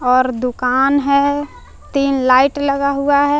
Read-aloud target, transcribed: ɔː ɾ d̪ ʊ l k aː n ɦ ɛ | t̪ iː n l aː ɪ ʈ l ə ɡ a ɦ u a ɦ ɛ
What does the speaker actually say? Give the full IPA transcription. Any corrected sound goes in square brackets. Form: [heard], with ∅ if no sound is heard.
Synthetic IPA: ɔː ɾ d̪ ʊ [∅] k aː n ɦ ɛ | t̪ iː n l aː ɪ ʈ l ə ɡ a ɦ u a ɦ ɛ